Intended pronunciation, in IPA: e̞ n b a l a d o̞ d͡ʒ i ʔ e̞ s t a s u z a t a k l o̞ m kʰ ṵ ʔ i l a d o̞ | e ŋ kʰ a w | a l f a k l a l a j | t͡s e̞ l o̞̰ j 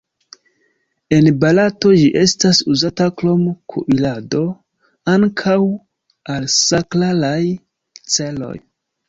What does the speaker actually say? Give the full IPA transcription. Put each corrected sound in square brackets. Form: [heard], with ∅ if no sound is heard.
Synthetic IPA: e̞ n b a l a [t] o̞ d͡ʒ i ʔ e̞ s t a s u z a t a k l o̞ m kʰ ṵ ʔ i l a d o̞ | [a] ŋ kʰ a w | a l [s] a k l a l a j | t͡s e̞ l o̞̰ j